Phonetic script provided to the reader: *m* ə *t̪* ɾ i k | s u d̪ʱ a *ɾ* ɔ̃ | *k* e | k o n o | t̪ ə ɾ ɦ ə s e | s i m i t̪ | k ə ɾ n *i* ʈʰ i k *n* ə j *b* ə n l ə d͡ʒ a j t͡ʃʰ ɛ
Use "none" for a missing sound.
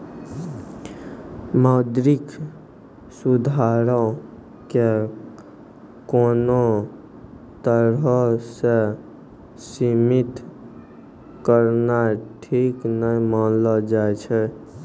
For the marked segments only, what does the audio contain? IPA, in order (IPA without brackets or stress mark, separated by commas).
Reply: m, d̪, ɾ, k, a, n, m